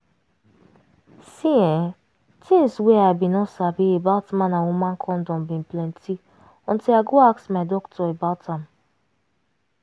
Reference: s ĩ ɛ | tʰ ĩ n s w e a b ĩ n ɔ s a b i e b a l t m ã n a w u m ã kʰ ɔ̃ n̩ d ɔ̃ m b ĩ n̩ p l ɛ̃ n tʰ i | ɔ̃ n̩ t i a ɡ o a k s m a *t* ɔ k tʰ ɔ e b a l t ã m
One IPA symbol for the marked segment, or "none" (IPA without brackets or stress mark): d